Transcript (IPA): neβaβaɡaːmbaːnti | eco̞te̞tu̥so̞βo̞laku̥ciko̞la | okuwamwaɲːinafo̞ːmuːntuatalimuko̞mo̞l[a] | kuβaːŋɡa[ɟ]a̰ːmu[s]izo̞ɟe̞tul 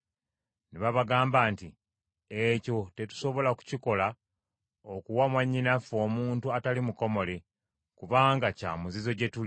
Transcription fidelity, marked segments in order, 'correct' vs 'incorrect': incorrect, incorrect, incorrect

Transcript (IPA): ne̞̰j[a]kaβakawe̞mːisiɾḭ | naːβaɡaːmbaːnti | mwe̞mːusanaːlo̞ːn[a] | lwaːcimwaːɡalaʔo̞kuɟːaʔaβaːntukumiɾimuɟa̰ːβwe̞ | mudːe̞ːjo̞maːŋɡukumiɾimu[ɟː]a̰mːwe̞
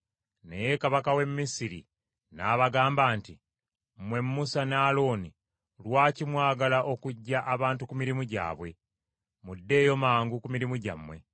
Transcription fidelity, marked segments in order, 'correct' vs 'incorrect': incorrect, incorrect, incorrect

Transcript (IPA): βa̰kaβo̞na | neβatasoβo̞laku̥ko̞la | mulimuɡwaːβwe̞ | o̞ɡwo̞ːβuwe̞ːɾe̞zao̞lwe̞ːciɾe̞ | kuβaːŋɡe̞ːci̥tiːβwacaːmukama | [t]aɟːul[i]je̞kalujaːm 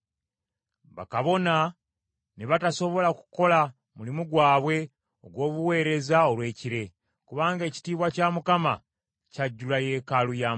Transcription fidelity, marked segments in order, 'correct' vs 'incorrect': incorrect, incorrect

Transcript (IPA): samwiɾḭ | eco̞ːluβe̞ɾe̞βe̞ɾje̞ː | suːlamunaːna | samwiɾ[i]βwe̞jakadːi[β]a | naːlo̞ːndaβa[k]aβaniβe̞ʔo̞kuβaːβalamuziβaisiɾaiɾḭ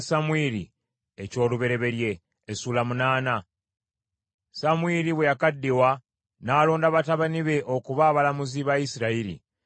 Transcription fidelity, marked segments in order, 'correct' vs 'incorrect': correct, incorrect, incorrect

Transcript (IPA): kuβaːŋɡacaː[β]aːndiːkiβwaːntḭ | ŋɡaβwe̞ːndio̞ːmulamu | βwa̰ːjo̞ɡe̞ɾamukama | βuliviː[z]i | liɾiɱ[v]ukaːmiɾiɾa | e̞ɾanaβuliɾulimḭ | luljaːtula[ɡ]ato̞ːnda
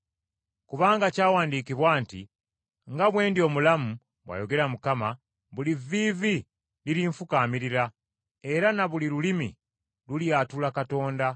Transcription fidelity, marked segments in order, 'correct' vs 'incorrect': incorrect, incorrect, incorrect, incorrect

